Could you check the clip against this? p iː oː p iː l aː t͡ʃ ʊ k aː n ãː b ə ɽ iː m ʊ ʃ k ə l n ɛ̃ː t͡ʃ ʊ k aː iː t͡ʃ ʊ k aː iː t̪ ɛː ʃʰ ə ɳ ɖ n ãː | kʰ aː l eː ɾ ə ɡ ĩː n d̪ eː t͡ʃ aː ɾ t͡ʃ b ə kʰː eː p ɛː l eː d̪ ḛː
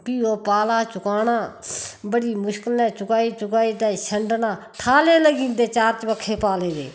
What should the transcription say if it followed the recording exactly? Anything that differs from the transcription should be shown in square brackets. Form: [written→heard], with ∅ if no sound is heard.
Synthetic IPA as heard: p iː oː p [iː→aː] l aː t͡ʃ ʊ k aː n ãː b ə ɽ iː m ʊ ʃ k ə l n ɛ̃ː t͡ʃ ʊ k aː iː t͡ʃ ʊ k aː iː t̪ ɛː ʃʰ ə ɳ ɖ n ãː | [kʰ→ʈʰ] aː l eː [ɾ→l] ə ɡ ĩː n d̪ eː t͡ʃ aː ɾ t͡ʃ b ə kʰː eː p [ɛː→aː] l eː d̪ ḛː